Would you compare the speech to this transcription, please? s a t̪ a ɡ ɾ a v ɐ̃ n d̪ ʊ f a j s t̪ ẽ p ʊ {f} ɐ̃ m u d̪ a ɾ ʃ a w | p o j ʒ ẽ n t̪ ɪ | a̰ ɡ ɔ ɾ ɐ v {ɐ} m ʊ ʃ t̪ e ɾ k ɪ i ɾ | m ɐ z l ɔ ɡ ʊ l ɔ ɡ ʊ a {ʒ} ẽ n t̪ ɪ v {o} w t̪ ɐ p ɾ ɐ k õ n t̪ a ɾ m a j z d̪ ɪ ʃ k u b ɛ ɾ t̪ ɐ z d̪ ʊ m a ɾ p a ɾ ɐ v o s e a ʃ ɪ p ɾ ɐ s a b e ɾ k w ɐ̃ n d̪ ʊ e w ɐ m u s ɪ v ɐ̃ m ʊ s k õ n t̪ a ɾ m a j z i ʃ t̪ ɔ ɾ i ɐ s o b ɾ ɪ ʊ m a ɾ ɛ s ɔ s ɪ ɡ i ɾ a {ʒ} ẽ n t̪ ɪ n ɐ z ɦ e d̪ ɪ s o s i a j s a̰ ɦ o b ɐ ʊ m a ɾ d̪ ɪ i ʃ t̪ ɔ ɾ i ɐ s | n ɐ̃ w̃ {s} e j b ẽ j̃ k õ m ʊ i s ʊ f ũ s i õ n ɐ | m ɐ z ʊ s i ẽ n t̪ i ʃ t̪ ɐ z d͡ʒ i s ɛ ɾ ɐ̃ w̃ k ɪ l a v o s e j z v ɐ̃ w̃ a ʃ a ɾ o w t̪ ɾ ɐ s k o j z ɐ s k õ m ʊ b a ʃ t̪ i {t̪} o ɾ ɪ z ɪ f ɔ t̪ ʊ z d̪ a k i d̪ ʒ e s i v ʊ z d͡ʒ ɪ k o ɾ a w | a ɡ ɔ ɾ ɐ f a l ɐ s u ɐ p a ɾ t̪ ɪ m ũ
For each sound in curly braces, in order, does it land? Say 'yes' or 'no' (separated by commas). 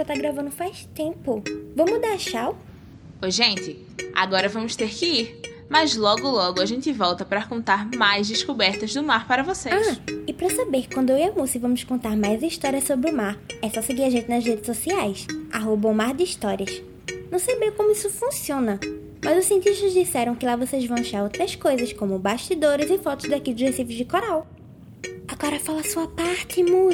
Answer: no, no, yes, no, yes, yes, no